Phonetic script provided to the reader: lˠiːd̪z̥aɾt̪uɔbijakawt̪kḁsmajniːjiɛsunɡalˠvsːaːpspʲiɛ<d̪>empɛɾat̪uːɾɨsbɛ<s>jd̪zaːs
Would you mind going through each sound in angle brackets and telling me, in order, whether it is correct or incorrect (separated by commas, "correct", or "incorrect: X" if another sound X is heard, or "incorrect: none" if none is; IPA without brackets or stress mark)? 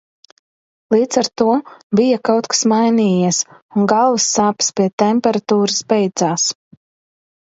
incorrect: t̪, incorrect: none